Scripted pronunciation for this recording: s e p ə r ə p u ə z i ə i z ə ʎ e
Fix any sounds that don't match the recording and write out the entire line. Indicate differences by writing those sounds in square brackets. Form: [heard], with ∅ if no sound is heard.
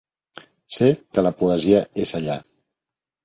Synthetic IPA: s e [k] ə [l] ə p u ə z i ə [e] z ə ʎ [a]